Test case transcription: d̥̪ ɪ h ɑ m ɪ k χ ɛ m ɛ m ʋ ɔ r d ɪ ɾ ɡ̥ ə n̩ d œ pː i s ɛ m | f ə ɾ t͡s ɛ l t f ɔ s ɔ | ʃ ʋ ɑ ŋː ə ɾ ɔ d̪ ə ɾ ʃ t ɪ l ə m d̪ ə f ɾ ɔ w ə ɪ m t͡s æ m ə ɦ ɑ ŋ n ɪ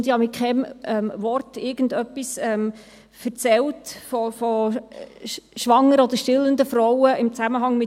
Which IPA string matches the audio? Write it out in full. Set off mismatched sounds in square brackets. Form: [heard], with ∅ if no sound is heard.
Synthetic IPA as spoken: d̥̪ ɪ h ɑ m ɪ k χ ɛ m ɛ m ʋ ɔ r [t] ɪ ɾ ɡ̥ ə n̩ d œ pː i s ɛ m | f ə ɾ t͡s ɛ l t f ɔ [f] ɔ | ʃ ʋ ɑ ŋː ə ɾ ɔ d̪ ə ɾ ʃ t ɪ l ə [n] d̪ ə f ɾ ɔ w ə ɪ m t͡s æ m ə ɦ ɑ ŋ [m] ɪ